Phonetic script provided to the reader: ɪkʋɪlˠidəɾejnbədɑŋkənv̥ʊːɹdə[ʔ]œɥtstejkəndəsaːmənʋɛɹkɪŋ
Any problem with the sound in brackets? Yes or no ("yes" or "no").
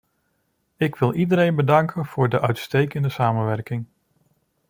no